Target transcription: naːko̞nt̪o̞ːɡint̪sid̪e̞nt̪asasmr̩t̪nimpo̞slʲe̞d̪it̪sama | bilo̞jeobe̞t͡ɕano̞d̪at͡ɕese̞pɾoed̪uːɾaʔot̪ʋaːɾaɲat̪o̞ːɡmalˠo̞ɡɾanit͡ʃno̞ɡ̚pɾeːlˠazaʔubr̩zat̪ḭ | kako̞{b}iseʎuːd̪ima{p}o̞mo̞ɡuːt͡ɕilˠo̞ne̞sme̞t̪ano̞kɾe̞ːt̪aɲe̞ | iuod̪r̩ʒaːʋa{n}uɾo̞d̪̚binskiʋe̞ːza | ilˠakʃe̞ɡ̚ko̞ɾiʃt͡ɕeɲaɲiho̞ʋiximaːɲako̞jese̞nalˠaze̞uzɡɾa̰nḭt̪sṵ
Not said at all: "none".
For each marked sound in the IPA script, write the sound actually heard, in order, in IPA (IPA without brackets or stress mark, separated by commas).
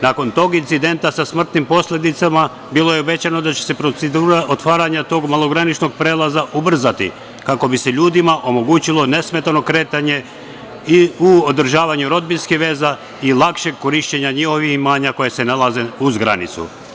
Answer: b, ʔ, ɲ